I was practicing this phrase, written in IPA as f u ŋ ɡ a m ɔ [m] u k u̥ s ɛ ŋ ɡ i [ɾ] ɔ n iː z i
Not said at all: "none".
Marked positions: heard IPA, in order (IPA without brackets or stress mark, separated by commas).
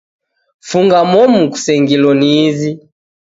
m, l